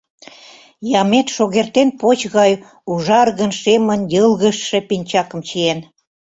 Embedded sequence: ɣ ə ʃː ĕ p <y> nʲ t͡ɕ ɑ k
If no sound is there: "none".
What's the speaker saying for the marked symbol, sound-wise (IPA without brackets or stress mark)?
i